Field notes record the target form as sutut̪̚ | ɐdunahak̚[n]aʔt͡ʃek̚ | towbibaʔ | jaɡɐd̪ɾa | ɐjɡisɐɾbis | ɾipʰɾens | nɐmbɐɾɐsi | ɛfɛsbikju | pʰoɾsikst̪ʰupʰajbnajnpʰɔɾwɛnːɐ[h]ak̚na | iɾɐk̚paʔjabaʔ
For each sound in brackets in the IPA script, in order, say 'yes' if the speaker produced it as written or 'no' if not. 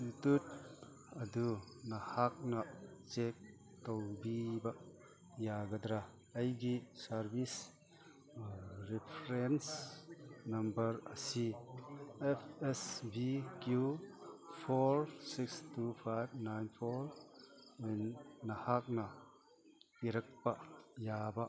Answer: yes, yes

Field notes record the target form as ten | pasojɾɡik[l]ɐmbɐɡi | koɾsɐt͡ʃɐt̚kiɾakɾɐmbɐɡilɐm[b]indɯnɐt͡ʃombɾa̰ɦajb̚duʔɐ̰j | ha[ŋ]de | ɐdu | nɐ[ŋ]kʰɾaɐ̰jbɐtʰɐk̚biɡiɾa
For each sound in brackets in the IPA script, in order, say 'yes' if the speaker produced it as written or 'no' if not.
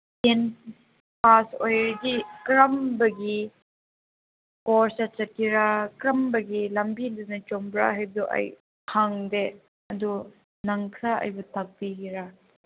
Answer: no, yes, yes, yes

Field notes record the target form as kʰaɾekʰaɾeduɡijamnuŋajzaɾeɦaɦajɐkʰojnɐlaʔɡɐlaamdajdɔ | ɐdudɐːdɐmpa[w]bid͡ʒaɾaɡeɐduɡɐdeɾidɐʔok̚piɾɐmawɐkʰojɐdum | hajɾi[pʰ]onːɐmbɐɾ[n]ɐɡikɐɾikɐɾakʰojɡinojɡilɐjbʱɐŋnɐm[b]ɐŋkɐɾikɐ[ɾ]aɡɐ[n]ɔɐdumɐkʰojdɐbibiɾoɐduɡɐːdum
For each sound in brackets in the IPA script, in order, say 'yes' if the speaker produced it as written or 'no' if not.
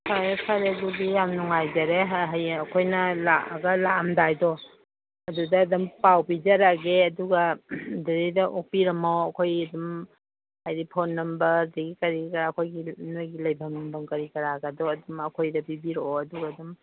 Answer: yes, yes, no, yes, yes, no

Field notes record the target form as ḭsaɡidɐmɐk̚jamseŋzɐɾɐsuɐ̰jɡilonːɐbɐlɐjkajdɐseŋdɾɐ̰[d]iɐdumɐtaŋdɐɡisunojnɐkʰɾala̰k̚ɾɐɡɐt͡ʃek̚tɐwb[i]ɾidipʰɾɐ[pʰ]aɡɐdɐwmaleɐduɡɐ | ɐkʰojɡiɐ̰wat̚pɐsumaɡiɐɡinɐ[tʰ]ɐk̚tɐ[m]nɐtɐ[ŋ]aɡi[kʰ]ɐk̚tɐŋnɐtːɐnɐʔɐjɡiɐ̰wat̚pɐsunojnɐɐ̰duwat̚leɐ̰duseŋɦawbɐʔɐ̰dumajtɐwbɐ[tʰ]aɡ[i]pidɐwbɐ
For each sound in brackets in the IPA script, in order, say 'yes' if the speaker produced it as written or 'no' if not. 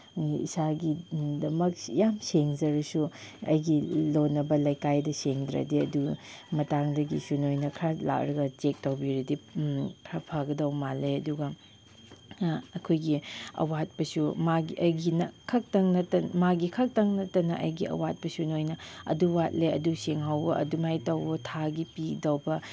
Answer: yes, yes, yes, no, no, no, yes, yes, yes

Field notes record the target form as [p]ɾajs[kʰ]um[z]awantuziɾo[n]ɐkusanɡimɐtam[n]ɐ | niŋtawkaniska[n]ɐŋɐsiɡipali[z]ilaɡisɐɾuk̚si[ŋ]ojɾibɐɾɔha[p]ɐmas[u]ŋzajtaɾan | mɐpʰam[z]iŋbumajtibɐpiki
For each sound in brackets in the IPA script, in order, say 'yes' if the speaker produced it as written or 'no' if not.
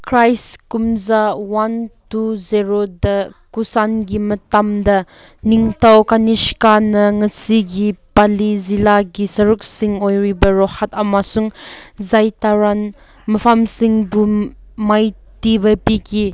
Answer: no, no, yes, no, no, yes, yes, yes, no, yes, no

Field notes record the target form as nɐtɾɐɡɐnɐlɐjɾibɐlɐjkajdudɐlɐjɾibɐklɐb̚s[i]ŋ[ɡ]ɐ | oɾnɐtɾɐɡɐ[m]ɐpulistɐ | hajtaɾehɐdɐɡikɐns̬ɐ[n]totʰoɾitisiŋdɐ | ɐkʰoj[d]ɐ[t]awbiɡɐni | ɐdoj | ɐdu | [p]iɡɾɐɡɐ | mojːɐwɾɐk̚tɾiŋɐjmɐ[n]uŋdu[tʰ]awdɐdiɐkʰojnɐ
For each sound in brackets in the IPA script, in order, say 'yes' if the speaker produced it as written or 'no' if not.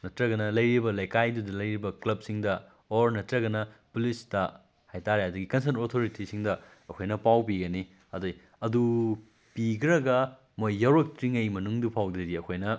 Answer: yes, no, no, yes, no, no, yes, yes, no

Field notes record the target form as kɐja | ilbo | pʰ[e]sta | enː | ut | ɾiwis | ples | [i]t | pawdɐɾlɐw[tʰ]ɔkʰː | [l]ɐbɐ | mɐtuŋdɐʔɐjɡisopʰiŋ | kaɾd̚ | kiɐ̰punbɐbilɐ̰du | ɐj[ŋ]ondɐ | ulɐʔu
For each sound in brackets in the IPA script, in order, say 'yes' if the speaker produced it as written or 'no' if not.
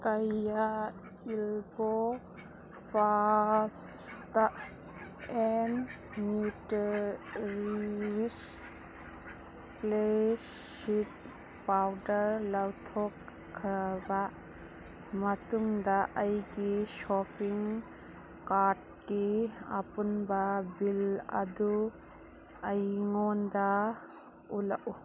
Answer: no, yes, yes, no, yes

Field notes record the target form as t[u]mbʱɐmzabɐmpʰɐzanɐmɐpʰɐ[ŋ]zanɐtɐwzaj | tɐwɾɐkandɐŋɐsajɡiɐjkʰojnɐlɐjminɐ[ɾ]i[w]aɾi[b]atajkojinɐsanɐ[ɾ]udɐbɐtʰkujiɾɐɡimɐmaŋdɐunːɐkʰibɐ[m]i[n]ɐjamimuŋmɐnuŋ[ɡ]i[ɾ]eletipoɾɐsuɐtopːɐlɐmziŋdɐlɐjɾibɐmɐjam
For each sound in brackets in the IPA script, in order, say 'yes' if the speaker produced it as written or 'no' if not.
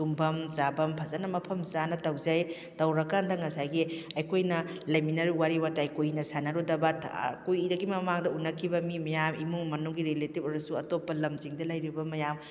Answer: yes, no, yes, yes, no, yes, yes, no, yes, yes

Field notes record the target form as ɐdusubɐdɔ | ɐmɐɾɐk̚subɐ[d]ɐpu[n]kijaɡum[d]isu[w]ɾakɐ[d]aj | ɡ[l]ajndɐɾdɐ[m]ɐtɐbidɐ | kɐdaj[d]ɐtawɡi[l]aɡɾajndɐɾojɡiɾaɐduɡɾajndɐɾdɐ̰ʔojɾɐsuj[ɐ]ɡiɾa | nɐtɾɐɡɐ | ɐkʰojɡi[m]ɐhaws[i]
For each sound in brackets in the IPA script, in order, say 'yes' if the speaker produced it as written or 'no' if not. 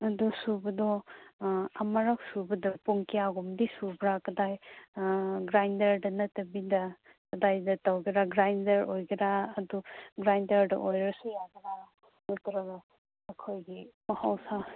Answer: yes, no, yes, no, yes, no, no, yes, no, no, yes, no

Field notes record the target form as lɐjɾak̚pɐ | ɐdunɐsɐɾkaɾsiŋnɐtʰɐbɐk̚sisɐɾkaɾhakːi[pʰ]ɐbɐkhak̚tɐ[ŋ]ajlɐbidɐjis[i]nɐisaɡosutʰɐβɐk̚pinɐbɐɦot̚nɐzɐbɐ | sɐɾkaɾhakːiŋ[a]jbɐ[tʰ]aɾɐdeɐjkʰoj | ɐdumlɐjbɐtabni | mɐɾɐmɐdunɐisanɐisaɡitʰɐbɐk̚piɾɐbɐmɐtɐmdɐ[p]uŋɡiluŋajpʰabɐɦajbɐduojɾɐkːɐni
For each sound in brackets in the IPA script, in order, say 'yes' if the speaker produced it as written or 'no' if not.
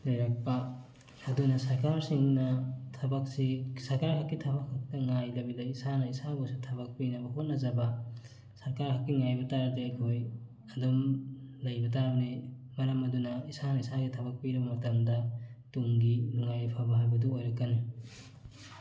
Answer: no, yes, no, yes, no, no

